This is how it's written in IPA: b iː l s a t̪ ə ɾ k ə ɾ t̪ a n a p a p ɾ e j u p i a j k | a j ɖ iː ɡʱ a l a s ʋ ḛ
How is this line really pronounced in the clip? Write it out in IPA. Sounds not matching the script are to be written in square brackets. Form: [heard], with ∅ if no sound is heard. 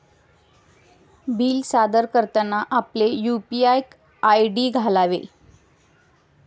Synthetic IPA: b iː l s a [d̪] ə ɾ k ə ɾ t̪ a n a [ʔ] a p [l] e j u p i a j k | a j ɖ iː ɡʱ a l a [∅] ʋ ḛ